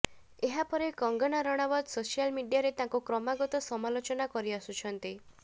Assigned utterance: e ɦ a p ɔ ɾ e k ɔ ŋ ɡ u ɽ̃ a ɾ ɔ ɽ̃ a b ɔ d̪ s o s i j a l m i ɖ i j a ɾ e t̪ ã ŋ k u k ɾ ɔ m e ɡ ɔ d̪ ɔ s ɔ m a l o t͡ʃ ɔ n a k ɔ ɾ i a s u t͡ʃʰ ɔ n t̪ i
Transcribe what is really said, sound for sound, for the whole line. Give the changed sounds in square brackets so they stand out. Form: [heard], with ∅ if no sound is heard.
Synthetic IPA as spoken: e ɦ a p ɔ ɾ e k ɔ ŋ ɡ [ɔ] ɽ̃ a ɾ ɔ ɽ̃ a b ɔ d̪ s o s i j a l m i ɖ i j a ɾ e t̪ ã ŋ k u k ɾ ɔ m [a] ɡ ɔ [t̪] ɔ s ɔ m a l o t͡ʃ ɔ n a k ɔ ɾ i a s u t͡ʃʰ ɔ n t̪ i

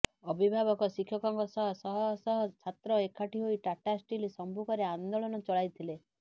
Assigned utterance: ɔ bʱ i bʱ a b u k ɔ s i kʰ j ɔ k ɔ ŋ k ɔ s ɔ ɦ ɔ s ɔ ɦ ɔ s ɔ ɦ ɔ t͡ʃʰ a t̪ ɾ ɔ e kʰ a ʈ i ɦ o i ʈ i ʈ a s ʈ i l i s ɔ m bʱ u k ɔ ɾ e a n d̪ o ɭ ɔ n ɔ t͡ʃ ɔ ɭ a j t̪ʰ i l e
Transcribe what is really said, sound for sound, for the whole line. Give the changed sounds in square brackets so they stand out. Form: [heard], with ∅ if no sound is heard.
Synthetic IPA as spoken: ɔ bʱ i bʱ a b [ɔ] k ɔ s i kʰ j ɔ k ɔ ŋ k ɔ s ɔ ɦ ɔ s ɔ ɦ ɔ s ɔ ɦ ɔ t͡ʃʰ a t̪ ɾ ɔ e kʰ a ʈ i ɦ o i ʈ [a] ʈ a s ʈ i l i s ɔ m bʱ u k ɔ ɾ e a n d̪ o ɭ ɔ n ɔ t͡ʃ ɔ ɭ a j t̪ʰ i l e

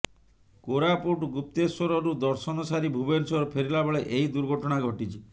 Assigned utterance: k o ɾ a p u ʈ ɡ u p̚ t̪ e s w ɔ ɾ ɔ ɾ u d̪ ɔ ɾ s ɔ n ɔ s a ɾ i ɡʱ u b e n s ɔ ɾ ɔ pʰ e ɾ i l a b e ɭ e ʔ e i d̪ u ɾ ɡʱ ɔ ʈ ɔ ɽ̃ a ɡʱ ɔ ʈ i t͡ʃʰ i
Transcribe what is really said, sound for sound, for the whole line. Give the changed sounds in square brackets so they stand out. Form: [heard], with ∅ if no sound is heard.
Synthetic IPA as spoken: k o ɾ a p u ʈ ɡ u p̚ t̪ e s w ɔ ɾ ɔ ɾ u d̪ ɔ ɾ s ɔ n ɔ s a ɾ i [bʱ] u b e n s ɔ ɾ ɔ pʰ e ɾ i l a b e ɭ e ʔ e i d̪ u ɾ ɡʱ ɔ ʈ ɔ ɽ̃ a ɡʱ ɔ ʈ i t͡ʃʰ i

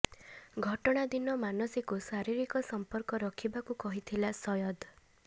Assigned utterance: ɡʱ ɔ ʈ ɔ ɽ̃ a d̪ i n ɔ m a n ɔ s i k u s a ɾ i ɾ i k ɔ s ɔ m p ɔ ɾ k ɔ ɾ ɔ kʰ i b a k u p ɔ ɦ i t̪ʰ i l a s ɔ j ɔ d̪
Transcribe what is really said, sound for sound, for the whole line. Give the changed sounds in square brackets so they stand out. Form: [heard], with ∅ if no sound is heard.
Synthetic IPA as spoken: ɡʱ ɔ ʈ ɔ ɽ̃ a d̪ i n ɔ m a n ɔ s i k u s a ɾ i ɾ i k ɔ s ɔ m p ɔ ɾ k ɔ ɾ ɔ kʰ i b a k u [k] ɔ ɦ i t̪ʰ i l a s ɔ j ɔ d̪

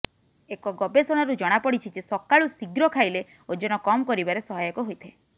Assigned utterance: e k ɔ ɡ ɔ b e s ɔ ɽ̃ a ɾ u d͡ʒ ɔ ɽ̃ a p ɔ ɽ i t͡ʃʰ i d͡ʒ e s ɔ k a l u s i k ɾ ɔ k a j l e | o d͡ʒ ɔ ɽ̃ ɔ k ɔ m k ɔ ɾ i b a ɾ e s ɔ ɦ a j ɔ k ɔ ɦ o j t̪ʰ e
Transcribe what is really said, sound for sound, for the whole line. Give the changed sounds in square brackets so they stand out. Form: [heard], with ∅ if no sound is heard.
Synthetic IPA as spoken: e k ɔ ɡ ɔ b e s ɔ ɽ̃ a ɾ u d͡ʒ ɔ ɽ̃ a p ɔ ɽ i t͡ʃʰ i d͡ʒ e s ɔ k a [ɭ] u s i [ɡ] ɾ ɔ [kʰ] a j l e | o d͡ʒ ɔ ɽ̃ ɔ k ɔ m k ɔ ɾ i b a ɾ e s ɔ ɦ a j ɔ k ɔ ɦ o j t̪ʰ e

